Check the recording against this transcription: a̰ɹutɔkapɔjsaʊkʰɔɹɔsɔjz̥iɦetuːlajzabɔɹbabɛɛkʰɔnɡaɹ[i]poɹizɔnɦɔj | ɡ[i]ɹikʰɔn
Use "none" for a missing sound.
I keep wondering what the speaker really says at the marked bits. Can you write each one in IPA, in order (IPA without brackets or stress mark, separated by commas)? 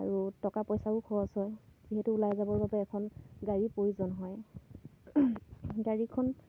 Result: i, a